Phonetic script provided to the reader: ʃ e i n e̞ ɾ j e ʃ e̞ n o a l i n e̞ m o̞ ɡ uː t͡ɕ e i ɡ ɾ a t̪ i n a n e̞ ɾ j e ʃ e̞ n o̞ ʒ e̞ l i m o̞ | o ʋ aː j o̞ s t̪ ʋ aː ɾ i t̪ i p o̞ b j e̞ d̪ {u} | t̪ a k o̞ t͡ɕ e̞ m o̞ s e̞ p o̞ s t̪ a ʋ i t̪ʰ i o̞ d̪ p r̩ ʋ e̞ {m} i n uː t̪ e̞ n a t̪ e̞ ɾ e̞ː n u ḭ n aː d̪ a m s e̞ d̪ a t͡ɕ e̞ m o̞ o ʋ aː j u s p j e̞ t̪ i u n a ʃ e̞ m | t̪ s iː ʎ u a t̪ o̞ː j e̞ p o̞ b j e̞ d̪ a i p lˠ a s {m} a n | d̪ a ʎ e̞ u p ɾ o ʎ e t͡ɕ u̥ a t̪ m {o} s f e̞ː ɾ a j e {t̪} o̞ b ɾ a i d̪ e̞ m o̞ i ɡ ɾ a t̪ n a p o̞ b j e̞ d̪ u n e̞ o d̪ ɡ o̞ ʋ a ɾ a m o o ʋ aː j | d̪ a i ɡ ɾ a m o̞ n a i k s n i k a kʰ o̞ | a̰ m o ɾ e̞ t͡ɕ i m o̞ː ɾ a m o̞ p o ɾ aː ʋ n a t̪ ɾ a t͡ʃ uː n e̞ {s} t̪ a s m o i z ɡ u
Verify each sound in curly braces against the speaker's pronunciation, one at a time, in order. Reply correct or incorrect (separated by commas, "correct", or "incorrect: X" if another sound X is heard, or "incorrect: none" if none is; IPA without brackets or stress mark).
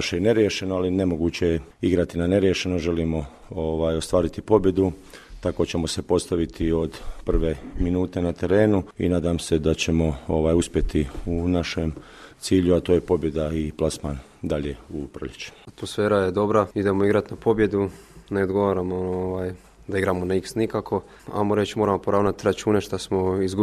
correct, correct, correct, correct, incorrect: d̪, incorrect: ʃ